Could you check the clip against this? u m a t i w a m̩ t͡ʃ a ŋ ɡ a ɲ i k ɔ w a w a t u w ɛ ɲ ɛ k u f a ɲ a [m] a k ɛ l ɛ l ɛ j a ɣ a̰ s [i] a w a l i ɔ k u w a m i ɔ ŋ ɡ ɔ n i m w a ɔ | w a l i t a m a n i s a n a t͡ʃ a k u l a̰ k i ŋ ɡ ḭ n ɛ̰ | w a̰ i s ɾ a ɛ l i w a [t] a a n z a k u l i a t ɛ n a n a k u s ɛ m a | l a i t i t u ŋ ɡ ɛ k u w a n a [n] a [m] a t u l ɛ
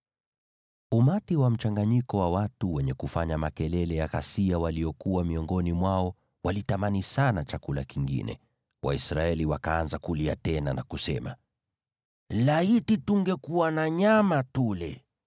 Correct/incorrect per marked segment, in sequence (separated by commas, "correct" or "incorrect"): correct, correct, incorrect, incorrect, correct